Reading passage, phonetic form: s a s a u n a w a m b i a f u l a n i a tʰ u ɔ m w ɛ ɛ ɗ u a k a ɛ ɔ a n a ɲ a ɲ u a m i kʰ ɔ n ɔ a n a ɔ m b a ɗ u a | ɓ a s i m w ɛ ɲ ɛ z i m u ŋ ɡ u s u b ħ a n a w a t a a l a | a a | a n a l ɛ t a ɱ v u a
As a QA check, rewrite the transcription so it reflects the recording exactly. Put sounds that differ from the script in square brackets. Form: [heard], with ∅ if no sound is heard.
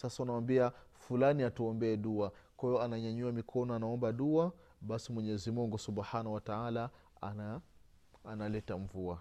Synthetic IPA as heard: s a s a u n a w a m b i a f u l a n i a [t] u ɔ m [b] ɛ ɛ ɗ u a k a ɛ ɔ a n a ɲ a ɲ u a m i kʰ ɔ n ɔ a n a ɔ m b a ɗ u a | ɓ a s i m w ɛ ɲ ɛ z i m u ŋ ɡ u s u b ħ a n a w a t a a l a | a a | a n a l ɛ t a ɱ v u a